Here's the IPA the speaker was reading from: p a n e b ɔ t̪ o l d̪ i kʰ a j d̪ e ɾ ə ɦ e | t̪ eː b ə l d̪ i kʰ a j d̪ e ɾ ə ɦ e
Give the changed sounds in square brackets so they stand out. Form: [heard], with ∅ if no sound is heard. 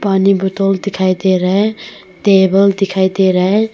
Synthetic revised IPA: p a n [i] b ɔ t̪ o l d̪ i kʰ a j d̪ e ɾ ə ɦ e | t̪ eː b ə l d̪ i kʰ a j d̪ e ɾ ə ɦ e